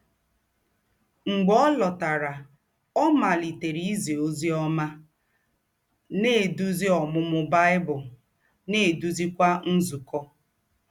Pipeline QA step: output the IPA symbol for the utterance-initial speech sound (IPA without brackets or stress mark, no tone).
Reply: ŋ͡m̩